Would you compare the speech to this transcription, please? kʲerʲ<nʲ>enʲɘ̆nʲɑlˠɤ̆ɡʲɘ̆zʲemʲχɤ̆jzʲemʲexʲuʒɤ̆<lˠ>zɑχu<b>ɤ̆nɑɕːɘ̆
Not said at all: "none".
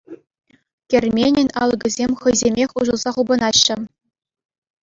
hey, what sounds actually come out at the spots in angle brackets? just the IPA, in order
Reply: mʲ, lˠ, b

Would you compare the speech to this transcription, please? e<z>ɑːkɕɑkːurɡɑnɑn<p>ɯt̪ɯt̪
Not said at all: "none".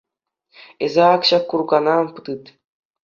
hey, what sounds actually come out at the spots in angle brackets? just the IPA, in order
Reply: z, p

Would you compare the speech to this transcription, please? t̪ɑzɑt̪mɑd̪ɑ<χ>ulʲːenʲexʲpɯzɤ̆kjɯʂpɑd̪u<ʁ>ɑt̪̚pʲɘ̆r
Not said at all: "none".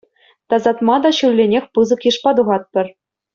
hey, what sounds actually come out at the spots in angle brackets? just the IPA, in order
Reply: ɕ, ʁ

